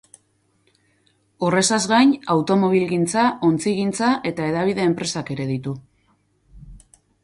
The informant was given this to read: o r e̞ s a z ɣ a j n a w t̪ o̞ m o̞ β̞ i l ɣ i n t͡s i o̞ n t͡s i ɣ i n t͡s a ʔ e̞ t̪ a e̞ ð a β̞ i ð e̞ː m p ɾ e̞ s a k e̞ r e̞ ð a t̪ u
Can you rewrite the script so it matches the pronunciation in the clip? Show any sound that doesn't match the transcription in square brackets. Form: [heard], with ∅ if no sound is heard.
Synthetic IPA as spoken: o r e̞ s a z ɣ a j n a w t̪ o̞ m o̞ β̞ i l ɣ i n t͡s [a] o̞ n t͡s i ɣ i n t͡s a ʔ e̞ t̪ a e̞ ð a β̞ i ð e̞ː m p ɾ e̞ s a k e̞ [ɾ] e̞ ð [i] t̪ u

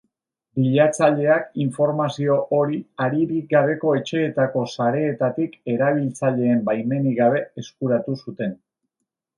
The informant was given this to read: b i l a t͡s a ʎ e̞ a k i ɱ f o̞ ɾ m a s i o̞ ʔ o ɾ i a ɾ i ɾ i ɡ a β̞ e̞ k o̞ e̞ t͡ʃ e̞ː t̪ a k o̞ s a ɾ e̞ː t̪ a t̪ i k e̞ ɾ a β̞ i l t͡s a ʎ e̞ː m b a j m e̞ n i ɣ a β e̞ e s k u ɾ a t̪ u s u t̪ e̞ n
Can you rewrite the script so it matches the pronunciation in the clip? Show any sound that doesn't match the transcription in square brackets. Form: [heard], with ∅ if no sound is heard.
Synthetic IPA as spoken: b i [ʎ] a t͡s a ʎ e̞ a k i ɱ f o̞ ɾ m a s i o̞ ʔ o ɾ i a ɾ i ɾ i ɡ a β̞ e̞ k o̞ e̞ t͡ʃ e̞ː t̪ a k o̞ s a ɾ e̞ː t̪ a t̪ i k e̞ ɾ a β̞ i l t͡s a ʎ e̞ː m b a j m e̞ n i ɣ a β e̞ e s k u ɾ a t̪ u s u t̪ e̞ n

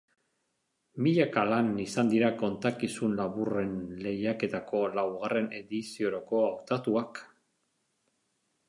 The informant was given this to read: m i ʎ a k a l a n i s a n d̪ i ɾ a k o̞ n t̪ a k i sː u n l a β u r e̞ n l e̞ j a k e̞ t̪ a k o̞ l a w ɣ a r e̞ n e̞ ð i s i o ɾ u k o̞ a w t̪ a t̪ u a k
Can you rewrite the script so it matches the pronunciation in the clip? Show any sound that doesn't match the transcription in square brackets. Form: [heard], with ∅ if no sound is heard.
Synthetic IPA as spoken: m i ʎ a k a l a n i s a n d̪ i ɾ a k o̞ n t̪ a k i [s] u n l a β u r e̞ n l e̞ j a k e̞ t̪ a k o̞ l a w ɣ a r e̞ n e̞ ð i s i o ɾ [o] k o̞ a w t̪ a t̪ u a k

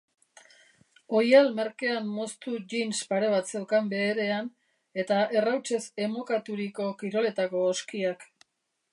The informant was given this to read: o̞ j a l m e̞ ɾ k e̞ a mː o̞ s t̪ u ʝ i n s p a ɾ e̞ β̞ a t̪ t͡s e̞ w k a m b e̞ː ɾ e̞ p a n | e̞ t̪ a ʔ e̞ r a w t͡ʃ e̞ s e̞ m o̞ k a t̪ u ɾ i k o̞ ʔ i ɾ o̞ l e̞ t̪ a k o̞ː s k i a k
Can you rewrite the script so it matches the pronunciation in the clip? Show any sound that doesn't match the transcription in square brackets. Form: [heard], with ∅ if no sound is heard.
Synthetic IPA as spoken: o̞ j a l m e̞ ɾ k e̞ a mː o̞ s t̪ u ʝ i n s p a ɾ e̞ β̞ a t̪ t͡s e̞ w k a m b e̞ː ɾ e̞ [∅] a n | e̞ t̪ a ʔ e̞ r a w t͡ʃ e̞ s e̞ m o̞ k a t̪ u ɾ i k o̞ [k] i ɾ o̞ l e̞ t̪ a k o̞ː s k i a k

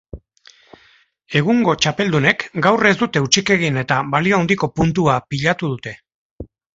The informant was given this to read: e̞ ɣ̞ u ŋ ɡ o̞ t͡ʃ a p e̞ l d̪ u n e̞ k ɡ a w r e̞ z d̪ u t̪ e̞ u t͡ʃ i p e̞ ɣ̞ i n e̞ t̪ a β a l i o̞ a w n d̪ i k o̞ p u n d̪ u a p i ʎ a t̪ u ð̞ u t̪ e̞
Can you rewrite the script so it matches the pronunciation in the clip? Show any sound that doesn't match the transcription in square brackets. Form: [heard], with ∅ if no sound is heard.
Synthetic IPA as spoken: e̞ ɣ̞ u ŋ ɡ o̞ t͡ʃ a p e̞ l d̪ u n e̞ k ɡ a w r e̞ z d̪ u t̪ e̞ u t͡ʃ i [k] e̞ ɣ̞ i n e̞ t̪ a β a l i o̞ a w n d̪ i k o̞ p u n [t̪] u a p i ʎ a t̪ u ð̞ u t̪ e̞

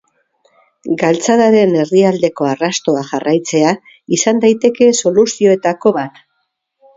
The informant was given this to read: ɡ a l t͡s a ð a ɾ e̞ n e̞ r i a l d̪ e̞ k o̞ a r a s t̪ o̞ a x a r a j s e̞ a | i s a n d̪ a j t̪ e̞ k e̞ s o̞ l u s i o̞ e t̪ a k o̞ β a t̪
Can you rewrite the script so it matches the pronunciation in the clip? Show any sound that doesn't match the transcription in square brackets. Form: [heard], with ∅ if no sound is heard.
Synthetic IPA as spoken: ɡ a l t͡s a ð a ɾ e̞ n e̞ r i a l d̪ e̞ k o̞ a r a s t̪ o̞ a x a r a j [t͡s] e̞ a | i s a n d̪ a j t̪ e̞ k e̞ s o̞ l u s i o̞ e t̪ a k o̞ β a t̪

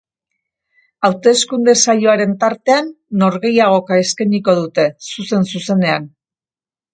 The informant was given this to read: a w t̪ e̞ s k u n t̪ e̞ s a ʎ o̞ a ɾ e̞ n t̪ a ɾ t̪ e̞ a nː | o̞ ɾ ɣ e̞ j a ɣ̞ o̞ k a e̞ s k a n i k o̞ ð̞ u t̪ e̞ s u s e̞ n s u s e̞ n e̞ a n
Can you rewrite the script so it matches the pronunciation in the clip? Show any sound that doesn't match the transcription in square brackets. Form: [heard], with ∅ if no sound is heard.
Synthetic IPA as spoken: a w t̪ e̞ s k u n [d̪] e̞ s a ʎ o̞ a ɾ e̞ n t̪ a ɾ t̪ e̞ a nː | o̞ ɾ ɣ e̞ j a ɣ̞ o̞ k a e̞ s k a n i k o̞ ð̞ u t̪ e̞ s u s e̞ n s u s e̞ n e̞ a n

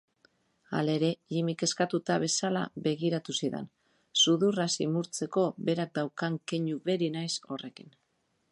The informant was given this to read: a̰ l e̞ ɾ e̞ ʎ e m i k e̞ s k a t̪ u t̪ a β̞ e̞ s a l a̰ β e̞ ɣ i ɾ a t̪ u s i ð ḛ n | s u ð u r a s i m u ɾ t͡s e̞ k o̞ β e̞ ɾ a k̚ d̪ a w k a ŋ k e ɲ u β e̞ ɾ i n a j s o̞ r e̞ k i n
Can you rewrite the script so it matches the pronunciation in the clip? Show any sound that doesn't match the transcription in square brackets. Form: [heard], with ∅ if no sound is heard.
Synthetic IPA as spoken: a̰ l e̞ ɾ e̞ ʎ [i] m i k e̞ s k a t̪ u t̪ a β̞ e̞ s a l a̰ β e̞ ɣ i ɾ a t̪ u s i ð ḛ n | s u ð u r a s i m u ɾ t͡s e̞ k o̞ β e̞ ɾ a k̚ d̪ a w k a ŋ k e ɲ u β e̞ ɾ i n a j s o̞ r e̞ k i n

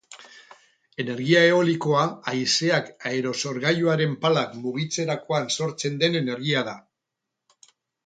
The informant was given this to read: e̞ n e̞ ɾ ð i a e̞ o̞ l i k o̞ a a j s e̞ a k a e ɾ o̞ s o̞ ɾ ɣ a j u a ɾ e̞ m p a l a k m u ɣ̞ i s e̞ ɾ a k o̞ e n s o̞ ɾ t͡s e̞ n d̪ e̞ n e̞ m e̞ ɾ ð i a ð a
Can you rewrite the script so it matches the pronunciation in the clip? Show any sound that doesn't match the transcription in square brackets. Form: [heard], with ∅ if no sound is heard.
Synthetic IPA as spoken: e̞ n e̞ ɾ [ɣ] i a e̞ o̞ l i k o̞ a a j s e̞ a k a e ɾ o̞ s o̞ ɾ ɣ a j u a ɾ e̞ m p a l a k m u ɣ̞ i [t͡s] e̞ ɾ a k o̞ [a] n s o̞ ɾ t͡s e̞ n d̪ e̞ n e̞ [n] e̞ ɾ [ɣ] i a ð a

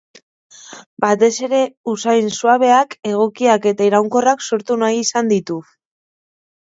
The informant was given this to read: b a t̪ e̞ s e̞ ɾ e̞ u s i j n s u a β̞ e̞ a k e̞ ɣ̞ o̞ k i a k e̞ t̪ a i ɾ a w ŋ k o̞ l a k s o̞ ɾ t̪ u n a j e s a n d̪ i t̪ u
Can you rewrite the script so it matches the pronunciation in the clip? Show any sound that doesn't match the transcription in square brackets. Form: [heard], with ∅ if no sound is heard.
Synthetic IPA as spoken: b a t̪ e̞ s e̞ ɾ e̞ u s [a] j n s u a β̞ e̞ a k e̞ ɣ̞ o̞ k i a k e̞ t̪ a i ɾ a w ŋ k o̞ [r] a k s o̞ ɾ t̪ u n a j [i] s a n d̪ i t̪ u

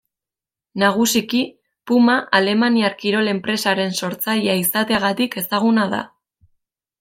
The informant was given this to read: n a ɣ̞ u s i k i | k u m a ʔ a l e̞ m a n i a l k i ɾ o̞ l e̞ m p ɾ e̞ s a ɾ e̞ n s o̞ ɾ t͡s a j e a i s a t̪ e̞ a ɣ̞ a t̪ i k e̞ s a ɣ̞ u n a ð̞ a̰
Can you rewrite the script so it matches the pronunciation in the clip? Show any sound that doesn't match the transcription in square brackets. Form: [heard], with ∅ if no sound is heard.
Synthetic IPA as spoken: n a ɣ̞ u s i k i | [p] u m a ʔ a l e̞ m a n i a [ɾ] k i ɾ o̞ l e̞ m p ɾ e̞ s a ɾ e̞ n s o̞ ɾ t͡s a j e a i s a t̪ e̞ a ɣ̞ a t̪ i k e̞ s a ɣ̞ u n a ð̞ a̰

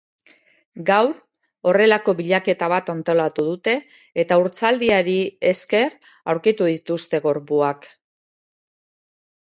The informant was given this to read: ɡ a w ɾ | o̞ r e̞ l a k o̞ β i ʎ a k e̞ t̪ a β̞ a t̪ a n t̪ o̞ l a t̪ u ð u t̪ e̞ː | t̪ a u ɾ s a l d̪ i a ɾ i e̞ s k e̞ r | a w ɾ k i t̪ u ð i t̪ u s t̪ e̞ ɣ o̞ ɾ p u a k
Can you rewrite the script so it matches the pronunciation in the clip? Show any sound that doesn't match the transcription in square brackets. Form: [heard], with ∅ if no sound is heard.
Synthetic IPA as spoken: ɡ a w ɾ | o̞ r e̞ l a k o̞ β i ʎ a k e̞ t̪ a β̞ a t̪ a n t̪ o̞ l a t̪ u ð u t̪ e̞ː | t̪ a u ɾ [t͡s] a l d̪ i a ɾ i e̞ s k e̞ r | a w ɾ k i t̪ u ð i t̪ u s t̪ e̞ ɣ o̞ ɾ p u a k

